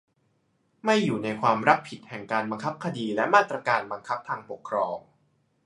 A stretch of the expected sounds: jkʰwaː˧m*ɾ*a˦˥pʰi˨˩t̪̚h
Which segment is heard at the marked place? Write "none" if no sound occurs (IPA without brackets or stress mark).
ɾ